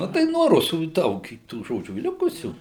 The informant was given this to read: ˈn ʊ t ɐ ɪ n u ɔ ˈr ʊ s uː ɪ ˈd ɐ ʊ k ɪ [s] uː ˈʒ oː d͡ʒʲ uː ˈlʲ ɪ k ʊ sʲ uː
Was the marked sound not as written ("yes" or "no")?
yes